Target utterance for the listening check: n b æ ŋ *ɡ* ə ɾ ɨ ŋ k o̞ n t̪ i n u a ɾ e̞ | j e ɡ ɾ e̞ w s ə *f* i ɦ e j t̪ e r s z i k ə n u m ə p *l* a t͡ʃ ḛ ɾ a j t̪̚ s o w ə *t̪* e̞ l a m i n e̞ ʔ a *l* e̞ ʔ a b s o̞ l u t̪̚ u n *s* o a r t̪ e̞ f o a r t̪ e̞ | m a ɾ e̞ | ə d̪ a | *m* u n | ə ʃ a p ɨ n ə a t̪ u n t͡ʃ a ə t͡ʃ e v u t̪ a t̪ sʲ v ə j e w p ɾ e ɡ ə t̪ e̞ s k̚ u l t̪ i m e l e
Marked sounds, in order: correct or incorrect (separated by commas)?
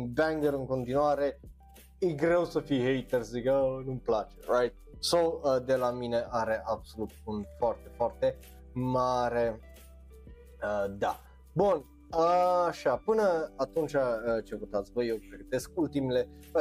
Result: correct, correct, correct, incorrect, incorrect, incorrect, incorrect